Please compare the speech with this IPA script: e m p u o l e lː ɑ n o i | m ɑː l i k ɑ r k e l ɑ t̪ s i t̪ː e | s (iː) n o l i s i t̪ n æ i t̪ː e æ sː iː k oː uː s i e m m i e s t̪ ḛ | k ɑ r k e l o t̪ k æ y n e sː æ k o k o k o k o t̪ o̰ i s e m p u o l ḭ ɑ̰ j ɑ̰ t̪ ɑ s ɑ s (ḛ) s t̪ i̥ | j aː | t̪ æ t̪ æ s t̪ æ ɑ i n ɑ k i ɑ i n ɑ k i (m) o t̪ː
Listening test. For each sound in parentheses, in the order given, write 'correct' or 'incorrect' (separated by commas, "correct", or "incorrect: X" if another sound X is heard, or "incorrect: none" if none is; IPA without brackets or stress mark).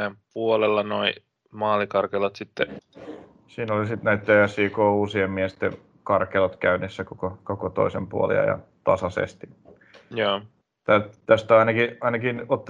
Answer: correct, correct, incorrect: n